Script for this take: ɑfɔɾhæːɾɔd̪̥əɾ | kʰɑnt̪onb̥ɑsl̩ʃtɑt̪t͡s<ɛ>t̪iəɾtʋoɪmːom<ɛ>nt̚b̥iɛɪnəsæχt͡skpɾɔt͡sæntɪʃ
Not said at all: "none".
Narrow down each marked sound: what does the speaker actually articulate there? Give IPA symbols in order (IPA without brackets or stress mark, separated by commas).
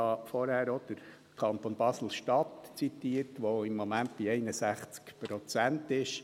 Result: i, æ